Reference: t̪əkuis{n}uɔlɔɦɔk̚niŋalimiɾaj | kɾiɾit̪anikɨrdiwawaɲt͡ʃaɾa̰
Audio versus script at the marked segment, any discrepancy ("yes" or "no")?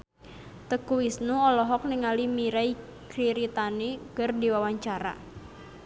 no